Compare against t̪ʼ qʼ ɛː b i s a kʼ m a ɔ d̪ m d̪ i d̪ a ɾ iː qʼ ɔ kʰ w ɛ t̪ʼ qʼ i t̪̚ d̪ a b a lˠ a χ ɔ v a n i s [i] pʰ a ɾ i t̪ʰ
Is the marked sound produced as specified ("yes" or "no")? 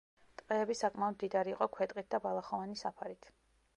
no